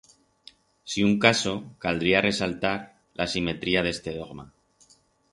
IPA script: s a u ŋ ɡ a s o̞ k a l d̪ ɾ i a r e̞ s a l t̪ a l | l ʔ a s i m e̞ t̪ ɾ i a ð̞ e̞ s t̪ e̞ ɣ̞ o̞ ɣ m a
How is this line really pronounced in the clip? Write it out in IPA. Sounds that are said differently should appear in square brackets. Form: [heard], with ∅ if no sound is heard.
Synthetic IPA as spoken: s [i] u ŋ [k] a s o̞ k a l d̪ ɾ i a r e̞ s a l t̪ a [ɾ] | l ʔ a s i m e̞ t̪ ɾ i a ð̞ e̞ s t̪ e̞ [ð̞] o̞ ɣ m a